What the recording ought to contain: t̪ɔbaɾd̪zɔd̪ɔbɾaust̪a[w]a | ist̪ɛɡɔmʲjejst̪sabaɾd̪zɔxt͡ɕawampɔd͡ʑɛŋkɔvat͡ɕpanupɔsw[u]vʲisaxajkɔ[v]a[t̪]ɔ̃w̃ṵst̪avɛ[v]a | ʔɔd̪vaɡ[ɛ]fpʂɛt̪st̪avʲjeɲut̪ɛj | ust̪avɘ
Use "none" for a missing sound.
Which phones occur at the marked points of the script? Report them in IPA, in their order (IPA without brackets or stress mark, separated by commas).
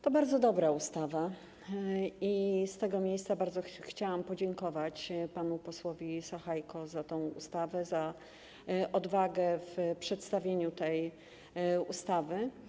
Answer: v, ɔ, z, t̪, z, ɛ